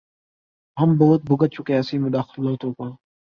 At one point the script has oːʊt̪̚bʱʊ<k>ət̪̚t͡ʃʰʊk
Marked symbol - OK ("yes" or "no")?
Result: no